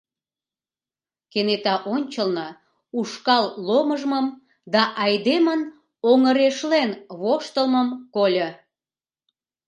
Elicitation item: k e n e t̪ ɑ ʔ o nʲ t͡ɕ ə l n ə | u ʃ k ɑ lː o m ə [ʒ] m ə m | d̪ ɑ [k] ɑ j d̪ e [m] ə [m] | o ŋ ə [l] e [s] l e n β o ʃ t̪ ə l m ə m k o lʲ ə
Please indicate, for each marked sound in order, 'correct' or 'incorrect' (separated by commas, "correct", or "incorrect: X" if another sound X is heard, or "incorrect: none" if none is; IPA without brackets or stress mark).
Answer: correct, incorrect: ʔ, correct, incorrect: n, incorrect: ɾ, incorrect: ʃ